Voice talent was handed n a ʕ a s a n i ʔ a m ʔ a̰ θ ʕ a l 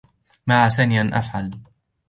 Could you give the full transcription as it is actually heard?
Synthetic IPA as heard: m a ʕ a s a n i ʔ a n ʔ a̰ f ʕ a l